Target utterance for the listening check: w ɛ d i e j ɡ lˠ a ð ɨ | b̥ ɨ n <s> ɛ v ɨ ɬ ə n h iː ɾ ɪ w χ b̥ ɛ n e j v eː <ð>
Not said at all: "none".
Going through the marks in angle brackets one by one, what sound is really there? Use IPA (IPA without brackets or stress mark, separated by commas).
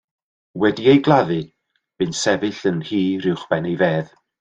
s, ð